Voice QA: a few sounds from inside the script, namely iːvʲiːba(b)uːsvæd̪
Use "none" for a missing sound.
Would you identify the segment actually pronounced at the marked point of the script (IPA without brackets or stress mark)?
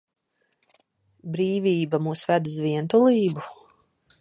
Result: m